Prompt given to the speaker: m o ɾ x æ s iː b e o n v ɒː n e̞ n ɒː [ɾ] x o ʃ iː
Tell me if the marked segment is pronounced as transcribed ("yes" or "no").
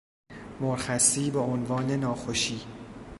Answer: no